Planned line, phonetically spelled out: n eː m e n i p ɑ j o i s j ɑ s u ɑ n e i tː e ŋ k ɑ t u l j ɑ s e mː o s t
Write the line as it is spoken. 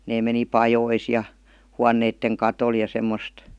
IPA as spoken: n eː m e n i p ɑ j o i s j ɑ h u ɑ nː e i tː e ŋ k ɑ t o l j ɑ s e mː o s t

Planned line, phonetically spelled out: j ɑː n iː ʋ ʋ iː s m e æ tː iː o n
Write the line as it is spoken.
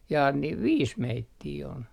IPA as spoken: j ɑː n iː ʋ ʋ iː s m e i tː iː o n

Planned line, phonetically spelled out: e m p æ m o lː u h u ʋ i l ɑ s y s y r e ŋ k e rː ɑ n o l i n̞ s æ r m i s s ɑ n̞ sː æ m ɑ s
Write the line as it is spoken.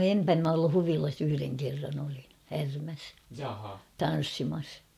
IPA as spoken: e m p æ m o lː u h u ʋ i l ɑ s y h y r e ŋ k e rː ɑ n o l i n̞ h æ r m æ s t ɑ n̞ sː i m ɑ s

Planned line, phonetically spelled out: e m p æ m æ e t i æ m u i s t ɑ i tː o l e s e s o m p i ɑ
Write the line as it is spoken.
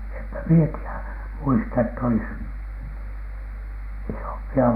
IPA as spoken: e m p æ m i e t i æ m u i s t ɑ e tː o l i s i s o m p i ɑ

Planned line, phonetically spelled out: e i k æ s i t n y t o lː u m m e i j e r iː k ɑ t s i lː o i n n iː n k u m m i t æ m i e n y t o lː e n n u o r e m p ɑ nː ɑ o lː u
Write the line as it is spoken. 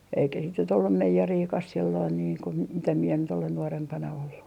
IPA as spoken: e i k æ s i t n y t o lː u m m e i j e r iː k ɑ s s i lː o i n n iː ŋ k u m m i t æ m i e n y t o l e n n u o r e m p ɑ n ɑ o lː u

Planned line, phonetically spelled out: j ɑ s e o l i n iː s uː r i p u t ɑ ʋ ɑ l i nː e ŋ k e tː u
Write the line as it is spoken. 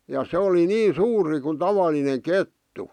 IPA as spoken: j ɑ s e o l i n iː s uː r i k u t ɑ ʋ ɑ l i n e ŋ k e tː u

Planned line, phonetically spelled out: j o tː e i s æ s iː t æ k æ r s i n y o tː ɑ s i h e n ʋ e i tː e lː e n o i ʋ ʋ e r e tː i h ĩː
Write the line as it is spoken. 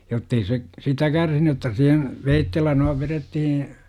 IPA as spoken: j o tː e i s e s i t æ k æ r s i n y o tː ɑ s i h e n ʋ e i tː e lː æ n o i ʋ ʋ e r e tː i h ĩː

